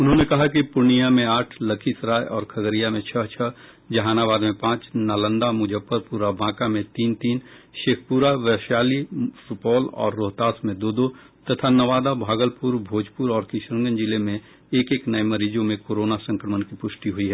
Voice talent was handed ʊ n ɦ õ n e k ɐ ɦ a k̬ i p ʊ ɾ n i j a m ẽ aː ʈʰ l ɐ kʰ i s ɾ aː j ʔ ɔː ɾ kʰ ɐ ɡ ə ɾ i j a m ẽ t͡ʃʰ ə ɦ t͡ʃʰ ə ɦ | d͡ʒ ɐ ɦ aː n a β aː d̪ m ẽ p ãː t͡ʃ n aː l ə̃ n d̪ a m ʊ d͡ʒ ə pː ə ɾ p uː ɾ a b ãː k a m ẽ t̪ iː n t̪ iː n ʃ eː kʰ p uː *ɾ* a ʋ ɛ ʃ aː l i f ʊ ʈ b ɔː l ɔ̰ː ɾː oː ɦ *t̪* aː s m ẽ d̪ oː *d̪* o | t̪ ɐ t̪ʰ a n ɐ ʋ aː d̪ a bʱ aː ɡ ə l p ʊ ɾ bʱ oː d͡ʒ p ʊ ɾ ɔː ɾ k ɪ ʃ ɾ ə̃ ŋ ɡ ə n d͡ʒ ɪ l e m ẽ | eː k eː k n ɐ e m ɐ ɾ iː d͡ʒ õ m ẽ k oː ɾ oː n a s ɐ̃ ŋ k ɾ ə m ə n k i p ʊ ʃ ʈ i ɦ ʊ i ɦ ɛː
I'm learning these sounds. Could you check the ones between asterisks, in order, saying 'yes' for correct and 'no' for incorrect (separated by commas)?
yes, yes, yes